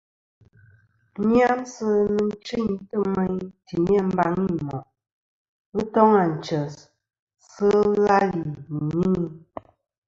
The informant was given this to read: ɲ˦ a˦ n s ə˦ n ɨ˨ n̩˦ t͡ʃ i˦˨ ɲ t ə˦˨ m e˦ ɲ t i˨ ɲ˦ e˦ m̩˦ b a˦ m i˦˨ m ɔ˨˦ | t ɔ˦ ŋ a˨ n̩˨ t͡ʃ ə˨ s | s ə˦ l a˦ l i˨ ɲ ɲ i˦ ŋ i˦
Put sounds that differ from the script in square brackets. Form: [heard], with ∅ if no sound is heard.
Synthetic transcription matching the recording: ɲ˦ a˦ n s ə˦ n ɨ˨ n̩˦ t͡ʃ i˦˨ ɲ t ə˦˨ m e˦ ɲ t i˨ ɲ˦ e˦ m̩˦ b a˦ [ŋ] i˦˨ m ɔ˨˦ | t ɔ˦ ŋ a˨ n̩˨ t͡ʃ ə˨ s | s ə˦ l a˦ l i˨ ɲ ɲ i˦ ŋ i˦